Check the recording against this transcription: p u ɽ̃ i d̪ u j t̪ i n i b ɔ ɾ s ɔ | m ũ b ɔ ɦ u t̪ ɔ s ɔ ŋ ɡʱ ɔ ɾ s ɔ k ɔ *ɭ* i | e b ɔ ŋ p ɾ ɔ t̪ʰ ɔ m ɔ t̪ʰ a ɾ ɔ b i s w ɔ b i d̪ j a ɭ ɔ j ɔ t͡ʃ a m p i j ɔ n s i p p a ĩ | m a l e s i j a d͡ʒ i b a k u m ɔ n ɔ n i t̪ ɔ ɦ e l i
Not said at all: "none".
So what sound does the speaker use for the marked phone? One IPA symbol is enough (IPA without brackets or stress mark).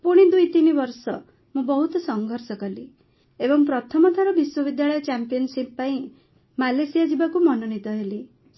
l